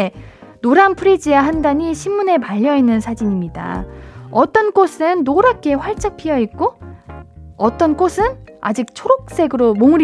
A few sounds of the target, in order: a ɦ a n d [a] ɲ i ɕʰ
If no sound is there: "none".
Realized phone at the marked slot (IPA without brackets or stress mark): a